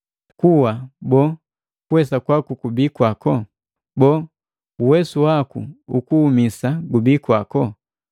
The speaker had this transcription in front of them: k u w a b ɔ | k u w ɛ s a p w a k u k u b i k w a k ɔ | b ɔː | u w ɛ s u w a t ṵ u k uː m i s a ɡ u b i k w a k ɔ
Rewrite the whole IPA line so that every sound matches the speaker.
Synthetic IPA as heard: k u w a b ɔ | k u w ɛ s a k w a k u k u b i k w a k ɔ | b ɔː | u w ɛ s u w a k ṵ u k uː m i s a ɡ u b i k w a k ɔ